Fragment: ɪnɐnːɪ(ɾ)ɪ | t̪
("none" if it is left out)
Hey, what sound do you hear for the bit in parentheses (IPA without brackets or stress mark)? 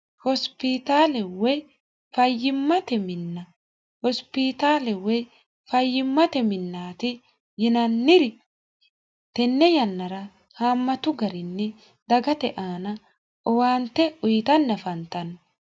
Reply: ɾ